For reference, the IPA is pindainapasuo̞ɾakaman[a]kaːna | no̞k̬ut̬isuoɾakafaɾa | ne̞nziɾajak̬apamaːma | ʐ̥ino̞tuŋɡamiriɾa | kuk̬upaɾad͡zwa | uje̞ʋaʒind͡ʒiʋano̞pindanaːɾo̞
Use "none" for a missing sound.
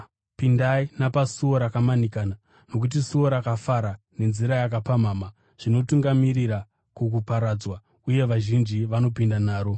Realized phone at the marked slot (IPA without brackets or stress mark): i